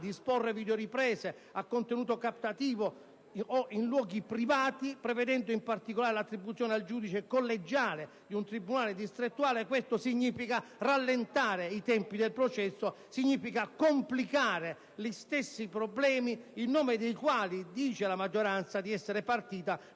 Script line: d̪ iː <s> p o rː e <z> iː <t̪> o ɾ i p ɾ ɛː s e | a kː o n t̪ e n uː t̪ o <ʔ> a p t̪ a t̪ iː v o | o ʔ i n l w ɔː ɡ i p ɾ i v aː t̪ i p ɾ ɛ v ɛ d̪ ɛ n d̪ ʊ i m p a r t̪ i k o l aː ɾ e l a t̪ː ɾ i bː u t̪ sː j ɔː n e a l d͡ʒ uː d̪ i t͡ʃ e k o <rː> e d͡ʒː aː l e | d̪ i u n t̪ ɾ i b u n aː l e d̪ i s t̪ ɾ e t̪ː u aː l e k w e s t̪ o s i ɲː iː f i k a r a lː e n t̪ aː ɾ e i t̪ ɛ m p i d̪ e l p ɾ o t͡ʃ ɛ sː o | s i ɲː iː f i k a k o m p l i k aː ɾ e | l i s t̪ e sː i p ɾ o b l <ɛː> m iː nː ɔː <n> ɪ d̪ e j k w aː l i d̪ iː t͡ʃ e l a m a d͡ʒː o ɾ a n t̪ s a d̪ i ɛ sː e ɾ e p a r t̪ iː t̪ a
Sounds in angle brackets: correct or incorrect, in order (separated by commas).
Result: correct, incorrect, incorrect, incorrect, incorrect, correct, incorrect